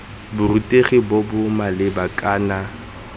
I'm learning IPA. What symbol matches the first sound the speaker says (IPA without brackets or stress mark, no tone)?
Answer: b